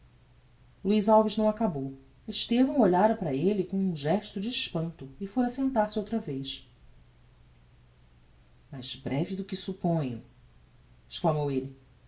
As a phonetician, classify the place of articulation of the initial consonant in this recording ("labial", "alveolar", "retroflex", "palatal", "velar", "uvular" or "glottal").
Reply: alveolar